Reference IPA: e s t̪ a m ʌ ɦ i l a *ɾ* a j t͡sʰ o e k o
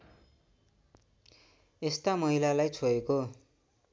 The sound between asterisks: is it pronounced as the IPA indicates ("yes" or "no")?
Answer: no